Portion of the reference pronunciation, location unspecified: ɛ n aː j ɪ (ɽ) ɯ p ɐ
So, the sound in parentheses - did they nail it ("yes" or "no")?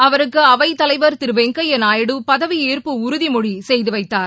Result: yes